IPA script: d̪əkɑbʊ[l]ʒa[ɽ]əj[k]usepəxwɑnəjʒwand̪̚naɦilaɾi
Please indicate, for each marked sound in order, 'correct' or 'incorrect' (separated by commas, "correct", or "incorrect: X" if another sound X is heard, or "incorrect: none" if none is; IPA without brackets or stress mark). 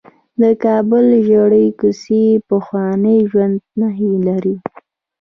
correct, correct, correct